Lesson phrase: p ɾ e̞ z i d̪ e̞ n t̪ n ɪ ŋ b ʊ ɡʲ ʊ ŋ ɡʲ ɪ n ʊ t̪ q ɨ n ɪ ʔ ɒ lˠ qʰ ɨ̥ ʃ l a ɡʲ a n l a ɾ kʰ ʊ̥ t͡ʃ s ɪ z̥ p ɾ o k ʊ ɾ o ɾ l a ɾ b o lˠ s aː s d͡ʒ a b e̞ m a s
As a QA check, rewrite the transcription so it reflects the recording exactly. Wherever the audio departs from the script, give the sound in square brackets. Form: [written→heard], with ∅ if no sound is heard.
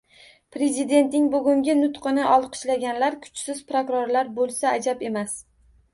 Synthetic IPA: p ɾ e̞ z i d̪ e̞ n t̪ n ɪ ŋ b ʊ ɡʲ ʊ ŋ ɡʲ ɪ n ʊ t̪ q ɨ n ɪ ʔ ɒ lˠ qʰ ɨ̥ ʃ l a ɡʲ a n l a ɾ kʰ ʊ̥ t͡ʃ s ɪ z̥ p ɾ o k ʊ ɾ o ɾ l a ɾ b o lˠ s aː [s→∅] d͡ʒ a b e̞ m a s